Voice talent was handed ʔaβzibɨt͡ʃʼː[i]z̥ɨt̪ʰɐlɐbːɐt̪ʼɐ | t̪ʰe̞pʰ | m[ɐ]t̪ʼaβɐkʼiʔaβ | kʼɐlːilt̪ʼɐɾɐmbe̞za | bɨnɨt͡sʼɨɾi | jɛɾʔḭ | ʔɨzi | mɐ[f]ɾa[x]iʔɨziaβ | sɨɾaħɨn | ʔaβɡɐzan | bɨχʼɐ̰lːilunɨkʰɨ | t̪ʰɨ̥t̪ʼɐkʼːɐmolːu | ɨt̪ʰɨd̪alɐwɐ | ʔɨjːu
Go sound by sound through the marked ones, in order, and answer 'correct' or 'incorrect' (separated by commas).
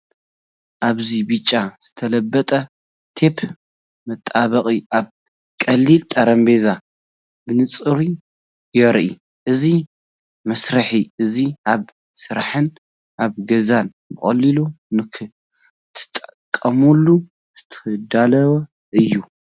incorrect, correct, incorrect, incorrect